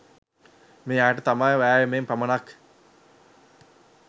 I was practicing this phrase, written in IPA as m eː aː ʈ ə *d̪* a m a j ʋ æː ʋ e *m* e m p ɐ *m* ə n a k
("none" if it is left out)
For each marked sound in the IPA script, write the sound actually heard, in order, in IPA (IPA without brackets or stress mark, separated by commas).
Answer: t̪, m, m